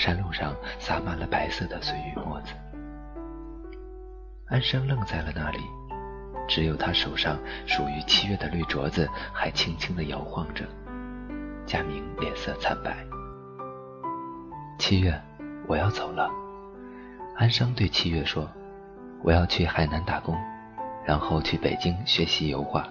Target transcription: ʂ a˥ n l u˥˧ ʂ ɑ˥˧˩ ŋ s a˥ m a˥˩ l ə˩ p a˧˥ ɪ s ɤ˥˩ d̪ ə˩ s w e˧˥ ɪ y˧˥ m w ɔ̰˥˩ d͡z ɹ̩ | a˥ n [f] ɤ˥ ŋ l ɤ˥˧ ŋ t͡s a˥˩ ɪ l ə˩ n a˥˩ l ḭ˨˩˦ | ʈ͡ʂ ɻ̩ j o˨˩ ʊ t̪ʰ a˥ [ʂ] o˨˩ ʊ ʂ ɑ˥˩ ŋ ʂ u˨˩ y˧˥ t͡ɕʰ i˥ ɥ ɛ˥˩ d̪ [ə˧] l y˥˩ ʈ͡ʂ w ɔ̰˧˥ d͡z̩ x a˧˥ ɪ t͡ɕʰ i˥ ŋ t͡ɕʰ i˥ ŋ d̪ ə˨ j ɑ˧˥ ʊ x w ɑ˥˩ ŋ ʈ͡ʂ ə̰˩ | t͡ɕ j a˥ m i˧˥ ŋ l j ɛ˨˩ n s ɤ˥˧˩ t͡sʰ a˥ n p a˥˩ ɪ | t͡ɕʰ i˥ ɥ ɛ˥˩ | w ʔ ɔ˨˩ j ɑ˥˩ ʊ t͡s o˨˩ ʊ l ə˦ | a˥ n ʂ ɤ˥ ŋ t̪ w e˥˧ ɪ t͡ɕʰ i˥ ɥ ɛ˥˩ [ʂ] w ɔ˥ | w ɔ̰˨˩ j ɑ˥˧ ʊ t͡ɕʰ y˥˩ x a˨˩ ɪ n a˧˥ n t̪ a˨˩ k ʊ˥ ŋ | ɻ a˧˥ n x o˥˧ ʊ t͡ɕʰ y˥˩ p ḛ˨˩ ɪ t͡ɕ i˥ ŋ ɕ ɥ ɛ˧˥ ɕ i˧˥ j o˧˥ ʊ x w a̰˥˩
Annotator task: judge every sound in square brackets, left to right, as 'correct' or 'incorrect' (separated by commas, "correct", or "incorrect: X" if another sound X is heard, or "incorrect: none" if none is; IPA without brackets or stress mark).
incorrect: ʂ, correct, incorrect: ə˩, correct